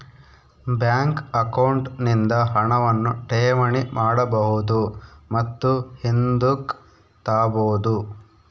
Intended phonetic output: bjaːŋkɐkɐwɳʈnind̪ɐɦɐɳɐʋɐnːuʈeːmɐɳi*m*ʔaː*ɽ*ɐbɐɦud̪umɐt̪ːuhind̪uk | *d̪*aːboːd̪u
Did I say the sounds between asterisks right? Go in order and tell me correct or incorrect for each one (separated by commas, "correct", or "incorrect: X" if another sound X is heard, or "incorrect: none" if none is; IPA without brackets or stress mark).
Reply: correct, correct, incorrect: t̪